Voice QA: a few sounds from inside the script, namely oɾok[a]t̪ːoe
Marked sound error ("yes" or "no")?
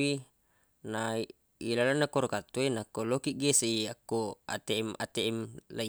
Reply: no